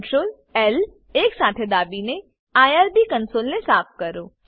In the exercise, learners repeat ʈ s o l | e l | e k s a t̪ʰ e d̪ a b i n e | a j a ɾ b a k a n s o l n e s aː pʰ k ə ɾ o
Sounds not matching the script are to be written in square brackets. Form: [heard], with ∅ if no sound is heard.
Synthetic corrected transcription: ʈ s o l | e l | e k s a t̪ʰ e d̪ a b i n e | a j a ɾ b [i] k [ə] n s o l n e s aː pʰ k ə ɾ o